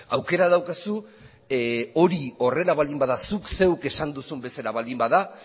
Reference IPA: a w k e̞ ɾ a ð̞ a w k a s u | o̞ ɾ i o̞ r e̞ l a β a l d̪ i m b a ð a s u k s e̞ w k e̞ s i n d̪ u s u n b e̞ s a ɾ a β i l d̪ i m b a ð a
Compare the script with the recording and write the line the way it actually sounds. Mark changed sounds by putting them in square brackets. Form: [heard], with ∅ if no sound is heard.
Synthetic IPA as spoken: a w k e̞ ɾ a ð̞ a w k a s u | o̞ ɾ i o̞ r e̞ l a β a l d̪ i m b a ð a s u k s e̞ w k e̞ s [a] n d̪ u s u [m] b e̞ s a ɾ a β [a] l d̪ i m b a ð a